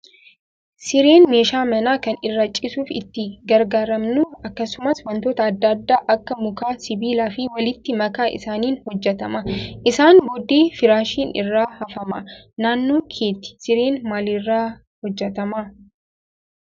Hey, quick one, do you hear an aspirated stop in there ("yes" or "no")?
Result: yes